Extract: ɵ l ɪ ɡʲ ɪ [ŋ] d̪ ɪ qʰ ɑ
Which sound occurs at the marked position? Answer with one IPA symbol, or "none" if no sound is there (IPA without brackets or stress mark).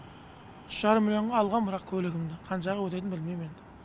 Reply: m